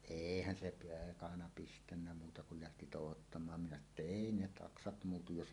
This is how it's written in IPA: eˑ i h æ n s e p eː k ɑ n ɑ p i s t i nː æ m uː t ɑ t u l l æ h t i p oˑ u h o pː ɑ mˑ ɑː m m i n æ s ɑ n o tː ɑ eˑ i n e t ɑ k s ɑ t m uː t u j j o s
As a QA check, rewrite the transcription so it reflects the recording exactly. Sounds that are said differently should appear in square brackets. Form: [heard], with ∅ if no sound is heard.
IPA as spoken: eˑ i h æ n s e p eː k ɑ n ɑ p i s t [æ] nː æ m uː t ɑ [k] u l l æ h t i [t] oˑ u h o [tː] ɑ mˑ ɑː m m i n æ s ɑ n o tː ɑ eˑ i n e t ɑ k s ɑ t m uː t u j j o s

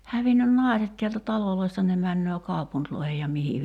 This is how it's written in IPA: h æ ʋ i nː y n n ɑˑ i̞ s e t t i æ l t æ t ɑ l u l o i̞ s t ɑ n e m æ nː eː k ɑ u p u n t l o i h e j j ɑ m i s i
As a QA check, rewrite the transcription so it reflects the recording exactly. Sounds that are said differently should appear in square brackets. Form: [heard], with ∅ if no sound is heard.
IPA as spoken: h æ ʋ i nː y n n ɑˑ i̞ s e t t i æ l t æ t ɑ l [o] l o i̞ s t ɑ n e m æ nː [øː] k ɑ u p u n t l o i h e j j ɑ m i [h] i

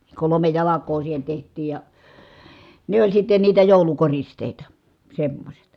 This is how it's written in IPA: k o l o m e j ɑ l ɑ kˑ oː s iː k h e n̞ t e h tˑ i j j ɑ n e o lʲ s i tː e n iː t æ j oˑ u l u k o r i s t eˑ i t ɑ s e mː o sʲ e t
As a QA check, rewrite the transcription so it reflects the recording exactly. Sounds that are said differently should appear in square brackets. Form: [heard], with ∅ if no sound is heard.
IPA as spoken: k o l o m e j ɑ l ɑ kˑ oː s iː [∅] h e n̞ t e h tˑ [iː] j j ɑ n e o lʲ s i tː e n iː t æ j oˑ u l u k o r i s t eˑ i t ɑ s e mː o sʲ e t

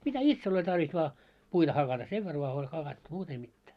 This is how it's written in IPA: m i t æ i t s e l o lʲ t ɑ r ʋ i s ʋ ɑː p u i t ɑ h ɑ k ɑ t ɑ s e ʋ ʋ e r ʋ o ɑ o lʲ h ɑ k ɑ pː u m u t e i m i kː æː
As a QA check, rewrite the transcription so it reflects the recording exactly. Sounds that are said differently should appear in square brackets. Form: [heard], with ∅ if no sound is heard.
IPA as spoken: m i t æ i t s e l o lʲ t ɑ r ʋ i s ʋ ɑː p u i t ɑ h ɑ k ɑ t ɑ s e ʋ ʋ e r ʋ o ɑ o lʲ h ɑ k ɑ [tː] u m [uː] t e i m i [tː] æː

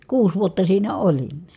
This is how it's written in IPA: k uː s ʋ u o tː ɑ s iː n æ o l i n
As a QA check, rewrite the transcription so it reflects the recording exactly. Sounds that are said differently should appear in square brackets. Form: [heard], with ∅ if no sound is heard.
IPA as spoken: k uː s ʋ u o tː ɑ s iː n æ o l i n

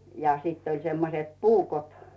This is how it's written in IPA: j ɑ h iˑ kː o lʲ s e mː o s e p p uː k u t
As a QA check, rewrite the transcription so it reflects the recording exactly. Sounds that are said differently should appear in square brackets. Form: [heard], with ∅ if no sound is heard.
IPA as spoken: j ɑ [s] iˑ [tː] o lʲ s e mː o s e [t] p uː k [o] t

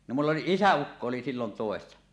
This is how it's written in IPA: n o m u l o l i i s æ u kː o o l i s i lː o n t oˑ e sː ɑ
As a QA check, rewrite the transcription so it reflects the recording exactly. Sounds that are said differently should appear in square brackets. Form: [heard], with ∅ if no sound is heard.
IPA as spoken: n o m u [lː] o l i i s æ u kː o o l i s i lː o n t oˑ e sː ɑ

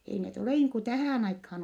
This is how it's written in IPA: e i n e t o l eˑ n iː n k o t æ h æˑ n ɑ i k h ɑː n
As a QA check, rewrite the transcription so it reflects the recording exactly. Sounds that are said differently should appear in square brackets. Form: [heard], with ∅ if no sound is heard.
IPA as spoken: e i n e t o l eˑ n iː [ŋ] k [u] t æ h æˑ n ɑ i k h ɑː n

